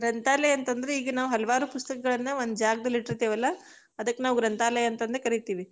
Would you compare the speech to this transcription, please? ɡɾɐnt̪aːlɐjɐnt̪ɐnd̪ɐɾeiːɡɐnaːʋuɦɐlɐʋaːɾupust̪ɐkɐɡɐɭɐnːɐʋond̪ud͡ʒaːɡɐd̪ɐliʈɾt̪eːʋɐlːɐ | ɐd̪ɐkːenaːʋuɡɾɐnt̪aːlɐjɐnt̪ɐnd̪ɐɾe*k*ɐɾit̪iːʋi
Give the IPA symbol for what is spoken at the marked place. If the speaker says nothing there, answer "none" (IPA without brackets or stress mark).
k